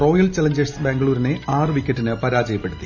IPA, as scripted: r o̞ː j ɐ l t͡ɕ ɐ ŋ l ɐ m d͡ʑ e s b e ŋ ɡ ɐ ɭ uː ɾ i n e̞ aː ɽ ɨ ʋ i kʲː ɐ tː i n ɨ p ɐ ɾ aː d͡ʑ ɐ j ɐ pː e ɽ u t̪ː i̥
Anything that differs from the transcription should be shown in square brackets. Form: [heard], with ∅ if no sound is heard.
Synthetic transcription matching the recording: r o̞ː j ɐ l t͡ɕ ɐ [∅] l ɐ [ɲ] d͡ʑ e s b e ŋ ɡ ɐ ɭ uː ɾ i n e̞ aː [r] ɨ ʋ i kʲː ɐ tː i n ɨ p ɐ ɾ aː d͡ʑ ɐ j ɐ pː e ɽ u t̪ː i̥